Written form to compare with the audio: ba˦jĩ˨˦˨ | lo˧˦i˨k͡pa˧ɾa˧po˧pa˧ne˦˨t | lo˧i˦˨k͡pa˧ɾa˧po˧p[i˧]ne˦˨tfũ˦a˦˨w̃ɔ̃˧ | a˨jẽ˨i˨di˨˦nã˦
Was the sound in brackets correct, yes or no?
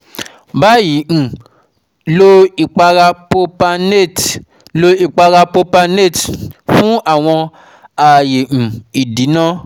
no